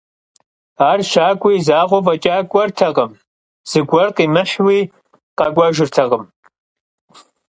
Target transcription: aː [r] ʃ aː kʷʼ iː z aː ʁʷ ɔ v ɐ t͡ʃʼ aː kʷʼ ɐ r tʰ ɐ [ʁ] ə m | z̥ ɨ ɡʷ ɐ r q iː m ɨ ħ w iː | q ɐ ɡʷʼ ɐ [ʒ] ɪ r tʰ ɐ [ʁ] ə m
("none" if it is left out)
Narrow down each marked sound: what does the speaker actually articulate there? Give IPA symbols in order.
r, ʁ, ʒ, ʁ

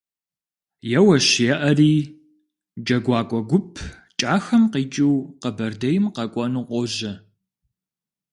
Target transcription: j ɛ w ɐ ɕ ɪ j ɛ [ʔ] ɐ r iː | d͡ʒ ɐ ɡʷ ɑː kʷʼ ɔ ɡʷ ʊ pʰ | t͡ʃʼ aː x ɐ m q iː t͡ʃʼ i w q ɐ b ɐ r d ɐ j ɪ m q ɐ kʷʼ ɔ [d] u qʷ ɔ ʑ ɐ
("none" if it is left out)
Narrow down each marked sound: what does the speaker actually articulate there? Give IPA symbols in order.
ʔ, n

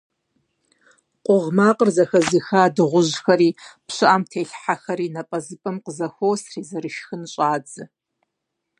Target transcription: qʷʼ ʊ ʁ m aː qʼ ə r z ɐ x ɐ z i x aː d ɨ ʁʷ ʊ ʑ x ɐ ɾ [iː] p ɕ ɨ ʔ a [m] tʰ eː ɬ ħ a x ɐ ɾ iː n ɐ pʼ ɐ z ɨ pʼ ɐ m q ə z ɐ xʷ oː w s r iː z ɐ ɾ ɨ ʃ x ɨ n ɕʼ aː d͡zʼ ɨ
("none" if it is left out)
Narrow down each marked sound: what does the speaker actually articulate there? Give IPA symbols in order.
iː, m

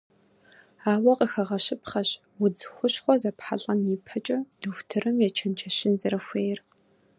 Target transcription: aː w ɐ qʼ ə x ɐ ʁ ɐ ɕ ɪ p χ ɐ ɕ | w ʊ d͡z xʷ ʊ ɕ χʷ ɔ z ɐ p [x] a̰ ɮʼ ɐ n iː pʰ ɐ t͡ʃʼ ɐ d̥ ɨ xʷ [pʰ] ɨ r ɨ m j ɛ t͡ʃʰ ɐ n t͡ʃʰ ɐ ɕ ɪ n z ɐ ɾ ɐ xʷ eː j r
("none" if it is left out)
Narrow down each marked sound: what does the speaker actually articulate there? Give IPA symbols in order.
ħ, tʰ

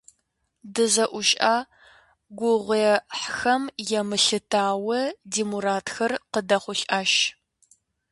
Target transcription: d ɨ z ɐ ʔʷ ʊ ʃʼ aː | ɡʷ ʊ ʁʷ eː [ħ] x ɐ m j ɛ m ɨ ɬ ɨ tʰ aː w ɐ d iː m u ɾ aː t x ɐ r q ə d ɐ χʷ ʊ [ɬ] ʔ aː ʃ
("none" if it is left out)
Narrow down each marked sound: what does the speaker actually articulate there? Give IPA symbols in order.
ħ, ɬ

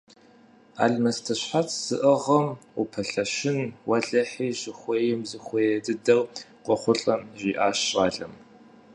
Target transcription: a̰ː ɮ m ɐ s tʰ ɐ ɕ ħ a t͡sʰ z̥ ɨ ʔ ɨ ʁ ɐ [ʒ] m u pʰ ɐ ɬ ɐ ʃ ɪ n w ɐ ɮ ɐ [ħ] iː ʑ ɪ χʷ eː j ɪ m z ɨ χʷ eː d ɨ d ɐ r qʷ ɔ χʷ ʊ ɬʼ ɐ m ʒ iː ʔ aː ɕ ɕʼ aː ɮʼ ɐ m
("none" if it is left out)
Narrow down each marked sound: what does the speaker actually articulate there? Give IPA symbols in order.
none, ħ

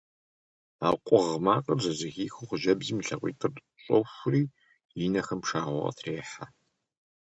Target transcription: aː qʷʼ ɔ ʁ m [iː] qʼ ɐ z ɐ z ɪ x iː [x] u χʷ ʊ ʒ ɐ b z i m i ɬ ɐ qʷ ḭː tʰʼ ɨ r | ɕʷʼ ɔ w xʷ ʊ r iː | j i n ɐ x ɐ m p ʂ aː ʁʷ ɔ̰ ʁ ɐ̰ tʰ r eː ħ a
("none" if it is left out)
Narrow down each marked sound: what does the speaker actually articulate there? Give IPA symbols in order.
aː, x

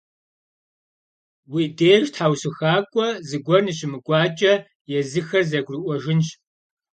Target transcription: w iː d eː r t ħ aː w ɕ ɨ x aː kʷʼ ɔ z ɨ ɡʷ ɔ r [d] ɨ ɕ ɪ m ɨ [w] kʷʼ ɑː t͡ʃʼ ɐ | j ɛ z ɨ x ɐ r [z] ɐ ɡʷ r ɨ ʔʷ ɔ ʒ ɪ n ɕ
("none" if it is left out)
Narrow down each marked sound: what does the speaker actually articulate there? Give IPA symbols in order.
n, none, z

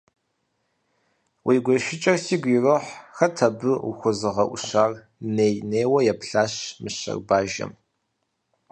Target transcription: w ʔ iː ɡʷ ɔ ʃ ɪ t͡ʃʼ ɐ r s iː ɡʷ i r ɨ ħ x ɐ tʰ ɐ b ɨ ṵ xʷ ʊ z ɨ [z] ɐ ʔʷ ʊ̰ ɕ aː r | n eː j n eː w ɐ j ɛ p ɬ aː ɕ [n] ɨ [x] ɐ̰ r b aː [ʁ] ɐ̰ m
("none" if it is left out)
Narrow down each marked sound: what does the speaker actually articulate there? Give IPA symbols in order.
ʁ, m, ɕ, ʒ

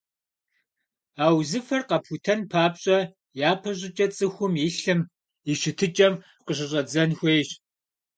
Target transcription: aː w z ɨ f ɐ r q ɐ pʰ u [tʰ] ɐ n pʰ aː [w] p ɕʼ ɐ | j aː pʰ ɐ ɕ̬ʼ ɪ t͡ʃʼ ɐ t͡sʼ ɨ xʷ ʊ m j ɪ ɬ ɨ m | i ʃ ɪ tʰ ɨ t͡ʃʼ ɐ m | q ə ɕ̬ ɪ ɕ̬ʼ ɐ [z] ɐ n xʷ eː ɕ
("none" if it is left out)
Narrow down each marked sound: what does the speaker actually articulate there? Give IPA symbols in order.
tʰ, none, d͡z

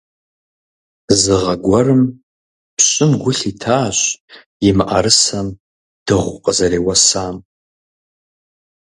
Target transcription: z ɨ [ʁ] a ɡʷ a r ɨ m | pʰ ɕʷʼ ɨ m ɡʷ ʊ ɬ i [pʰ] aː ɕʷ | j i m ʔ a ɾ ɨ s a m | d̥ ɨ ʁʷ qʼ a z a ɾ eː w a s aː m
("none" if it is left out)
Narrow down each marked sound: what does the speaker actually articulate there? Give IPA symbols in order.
ʁ, tʰ

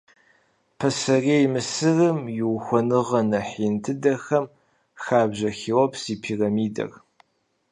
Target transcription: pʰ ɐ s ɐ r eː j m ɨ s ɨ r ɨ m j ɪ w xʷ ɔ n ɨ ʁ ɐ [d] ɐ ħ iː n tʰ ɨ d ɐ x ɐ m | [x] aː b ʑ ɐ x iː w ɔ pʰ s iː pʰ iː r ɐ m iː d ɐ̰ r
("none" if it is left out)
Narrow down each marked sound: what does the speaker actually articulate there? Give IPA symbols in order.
n, x

